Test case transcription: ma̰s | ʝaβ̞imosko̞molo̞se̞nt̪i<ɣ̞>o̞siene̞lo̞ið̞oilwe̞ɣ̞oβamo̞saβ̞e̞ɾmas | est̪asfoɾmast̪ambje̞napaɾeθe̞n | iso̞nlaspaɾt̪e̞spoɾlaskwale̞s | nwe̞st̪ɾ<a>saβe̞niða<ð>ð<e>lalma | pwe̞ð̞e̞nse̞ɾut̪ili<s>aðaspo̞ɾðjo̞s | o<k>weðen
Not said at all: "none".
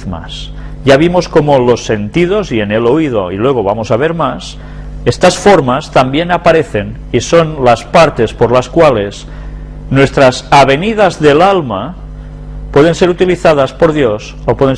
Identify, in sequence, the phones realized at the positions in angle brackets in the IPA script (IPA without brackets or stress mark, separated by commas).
ð̞, a, z, e, θ, p